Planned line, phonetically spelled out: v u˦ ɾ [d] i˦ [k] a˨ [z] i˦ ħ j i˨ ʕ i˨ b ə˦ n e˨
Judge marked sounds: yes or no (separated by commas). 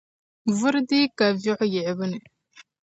yes, yes, no